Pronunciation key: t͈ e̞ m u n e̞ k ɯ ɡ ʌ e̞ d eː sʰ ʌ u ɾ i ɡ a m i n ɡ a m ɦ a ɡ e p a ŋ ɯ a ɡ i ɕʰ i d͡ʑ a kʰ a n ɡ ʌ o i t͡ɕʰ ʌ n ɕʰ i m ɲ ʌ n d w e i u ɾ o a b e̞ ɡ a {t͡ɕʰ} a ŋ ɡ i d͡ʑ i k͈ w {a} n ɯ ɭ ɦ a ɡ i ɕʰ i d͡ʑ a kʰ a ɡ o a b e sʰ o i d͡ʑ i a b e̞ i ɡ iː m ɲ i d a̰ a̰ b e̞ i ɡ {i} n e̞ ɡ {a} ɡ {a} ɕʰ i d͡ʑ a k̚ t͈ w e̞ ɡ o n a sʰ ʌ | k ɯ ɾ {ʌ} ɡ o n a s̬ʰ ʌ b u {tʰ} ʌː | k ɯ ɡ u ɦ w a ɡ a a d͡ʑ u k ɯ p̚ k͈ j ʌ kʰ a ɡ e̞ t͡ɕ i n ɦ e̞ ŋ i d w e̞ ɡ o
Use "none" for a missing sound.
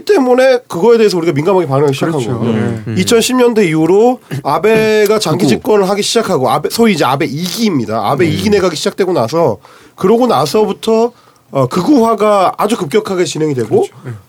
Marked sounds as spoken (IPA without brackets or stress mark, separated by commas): t͡ɕ, ʌ, i, a, i, ʌ, tʰ